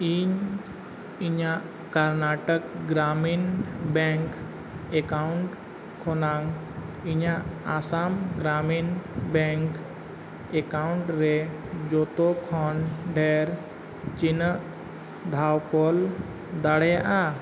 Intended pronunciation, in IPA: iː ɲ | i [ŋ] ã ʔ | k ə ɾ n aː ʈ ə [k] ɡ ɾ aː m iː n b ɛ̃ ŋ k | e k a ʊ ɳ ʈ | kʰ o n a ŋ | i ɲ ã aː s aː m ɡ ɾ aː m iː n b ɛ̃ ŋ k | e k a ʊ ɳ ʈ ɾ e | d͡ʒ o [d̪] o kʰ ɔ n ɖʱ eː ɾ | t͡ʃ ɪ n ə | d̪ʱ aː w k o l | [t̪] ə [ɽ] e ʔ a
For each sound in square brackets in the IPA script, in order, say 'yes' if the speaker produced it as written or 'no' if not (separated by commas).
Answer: no, yes, no, no, yes